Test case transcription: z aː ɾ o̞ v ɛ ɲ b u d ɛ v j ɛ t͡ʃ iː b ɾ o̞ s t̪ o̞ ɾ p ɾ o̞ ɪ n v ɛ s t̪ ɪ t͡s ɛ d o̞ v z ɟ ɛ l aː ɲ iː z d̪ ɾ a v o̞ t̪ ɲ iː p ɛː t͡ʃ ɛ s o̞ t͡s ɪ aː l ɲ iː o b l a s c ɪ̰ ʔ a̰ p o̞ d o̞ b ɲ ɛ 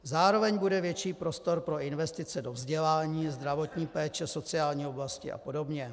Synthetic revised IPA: z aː ɾ o̞ v ɛ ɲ b u d ɛ v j ɛ t͡ʃ iː p ɾ o̞ s t̪ o̞ ɾ p ɾ o̞ ɪ n v ɛ s t̪ ɪ t͡s ɛ d o̞ v z ɟ ɛ l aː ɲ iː z d̪ ɾ a v o̞ t̪ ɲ iː p ɛː t͡ʃ ɛ s o̞ t͡s ɪ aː l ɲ iː o b l a s c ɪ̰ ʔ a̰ p o̞ d o̞ b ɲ ɛ